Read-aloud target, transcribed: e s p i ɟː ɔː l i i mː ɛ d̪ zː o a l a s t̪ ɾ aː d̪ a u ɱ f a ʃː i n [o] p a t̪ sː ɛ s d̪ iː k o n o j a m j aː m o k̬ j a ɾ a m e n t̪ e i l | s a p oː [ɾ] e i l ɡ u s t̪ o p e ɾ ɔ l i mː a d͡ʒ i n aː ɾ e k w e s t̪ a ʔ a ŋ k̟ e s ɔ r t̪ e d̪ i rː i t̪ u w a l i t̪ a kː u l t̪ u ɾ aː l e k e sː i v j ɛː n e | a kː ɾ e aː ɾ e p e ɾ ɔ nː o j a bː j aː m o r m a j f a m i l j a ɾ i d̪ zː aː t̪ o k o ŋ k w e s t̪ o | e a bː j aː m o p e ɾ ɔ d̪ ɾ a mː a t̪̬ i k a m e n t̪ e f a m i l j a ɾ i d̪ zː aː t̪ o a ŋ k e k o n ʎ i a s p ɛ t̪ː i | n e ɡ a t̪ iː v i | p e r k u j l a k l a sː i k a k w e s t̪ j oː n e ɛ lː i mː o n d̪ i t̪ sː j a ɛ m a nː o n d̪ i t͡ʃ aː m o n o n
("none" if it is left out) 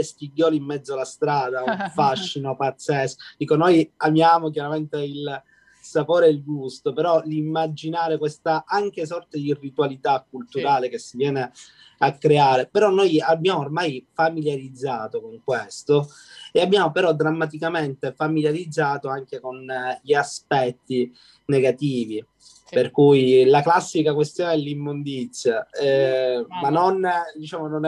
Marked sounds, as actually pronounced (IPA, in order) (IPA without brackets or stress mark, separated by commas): o, ɾ